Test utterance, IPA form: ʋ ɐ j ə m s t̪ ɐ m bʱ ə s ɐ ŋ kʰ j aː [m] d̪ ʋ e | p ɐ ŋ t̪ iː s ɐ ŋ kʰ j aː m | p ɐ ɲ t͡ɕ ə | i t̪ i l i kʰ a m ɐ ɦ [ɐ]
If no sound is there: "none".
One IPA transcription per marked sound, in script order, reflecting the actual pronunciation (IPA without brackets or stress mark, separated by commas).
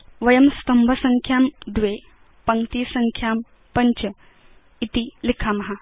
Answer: m, a